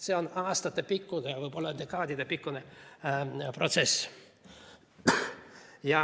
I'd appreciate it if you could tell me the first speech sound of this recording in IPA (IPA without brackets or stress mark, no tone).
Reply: s